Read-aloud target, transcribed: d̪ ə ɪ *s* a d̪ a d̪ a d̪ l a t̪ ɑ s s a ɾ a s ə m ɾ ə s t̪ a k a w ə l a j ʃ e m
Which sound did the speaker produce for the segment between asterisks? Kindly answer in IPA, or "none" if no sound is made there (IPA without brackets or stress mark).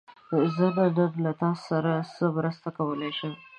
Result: z